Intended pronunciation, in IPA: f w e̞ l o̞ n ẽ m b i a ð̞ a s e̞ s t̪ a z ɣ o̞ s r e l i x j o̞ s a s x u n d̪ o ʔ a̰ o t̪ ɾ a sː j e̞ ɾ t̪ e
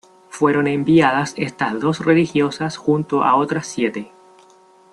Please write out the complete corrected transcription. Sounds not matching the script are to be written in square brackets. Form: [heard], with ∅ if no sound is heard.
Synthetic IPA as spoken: f w e̞ [ɾ] o̞ n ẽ m b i a ð̞ a s e̞ s t̪ a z [ð] o̞ s r e l i x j o̞ s a s x u n [t̪] o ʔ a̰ o t̪ ɾ a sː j e̞ [∅] t̪ e

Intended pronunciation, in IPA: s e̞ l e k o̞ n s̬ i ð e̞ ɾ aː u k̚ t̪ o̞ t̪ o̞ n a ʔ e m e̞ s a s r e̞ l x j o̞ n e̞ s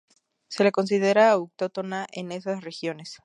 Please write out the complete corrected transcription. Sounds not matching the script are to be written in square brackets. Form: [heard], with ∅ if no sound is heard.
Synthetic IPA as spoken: s e̞ l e k o̞ n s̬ i ð e̞ ɾ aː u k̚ t̪ o̞ t̪ o̞ n a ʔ e [n] e̞ s a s r e̞ [∅] x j o̞ n e̞ s

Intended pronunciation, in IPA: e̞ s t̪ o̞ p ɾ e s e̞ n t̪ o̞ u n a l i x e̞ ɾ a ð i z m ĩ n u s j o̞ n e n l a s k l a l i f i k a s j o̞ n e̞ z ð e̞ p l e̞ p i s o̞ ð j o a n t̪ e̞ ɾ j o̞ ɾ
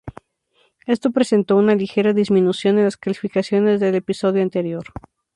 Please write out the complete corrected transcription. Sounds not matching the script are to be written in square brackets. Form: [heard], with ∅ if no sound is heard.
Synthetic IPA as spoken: e̞ s t̪ o̞ p ɾ e s e̞ n t̪ o̞ u n a l i x e̞ ɾ a ð i z m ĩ n u s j o̞ n e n l a s k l a l i f i k a s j o̞ n e̞ z ð e̞ [∅] l e̞ p i s o̞ ð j o a n t̪ e̞ ɾ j o̞ ɾ

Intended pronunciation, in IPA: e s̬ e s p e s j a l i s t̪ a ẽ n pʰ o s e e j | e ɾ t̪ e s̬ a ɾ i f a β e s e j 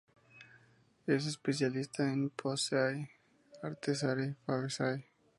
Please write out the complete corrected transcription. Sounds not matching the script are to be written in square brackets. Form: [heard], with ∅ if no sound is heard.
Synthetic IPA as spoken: e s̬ e s p e s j a l i s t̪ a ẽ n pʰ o s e [a] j | [a] ɾ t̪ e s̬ a ɾ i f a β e s [a] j

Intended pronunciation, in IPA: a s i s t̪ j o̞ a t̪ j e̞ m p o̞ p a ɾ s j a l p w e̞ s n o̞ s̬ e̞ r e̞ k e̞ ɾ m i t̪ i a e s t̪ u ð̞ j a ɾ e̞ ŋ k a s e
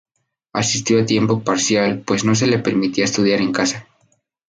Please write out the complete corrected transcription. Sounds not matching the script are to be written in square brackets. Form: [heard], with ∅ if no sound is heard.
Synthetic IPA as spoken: a s i s t̪ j o̞ a t̪ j e̞ m p o̞ p a ɾ s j a l p w e̞ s n o̞ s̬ e̞ [l] e̞ [p] e̞ ɾ m i t̪ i a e s t̪ u ð̞ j a ɾ e̞ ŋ k a s [a]

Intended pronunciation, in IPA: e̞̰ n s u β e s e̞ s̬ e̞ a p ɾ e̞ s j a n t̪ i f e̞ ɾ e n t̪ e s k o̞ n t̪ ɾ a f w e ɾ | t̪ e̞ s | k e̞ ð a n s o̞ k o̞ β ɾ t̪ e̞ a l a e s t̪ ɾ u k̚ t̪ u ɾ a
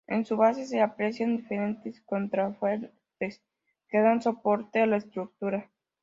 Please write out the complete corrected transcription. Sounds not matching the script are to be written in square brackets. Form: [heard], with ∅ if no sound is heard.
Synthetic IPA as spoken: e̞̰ n s u β [a] s e̞ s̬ e̞ a p ɾ e̞ s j a n [d̪] i f e̞ ɾ e n t̪ e s k o̞ n t̪ ɾ a f w e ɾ | t̪ e̞ s | k e̞ ð a n s o̞ [p] o̞ [∅] ɾ t̪ e̞ a l a e s t̪ ɾ u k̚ t̪ u ɾ a

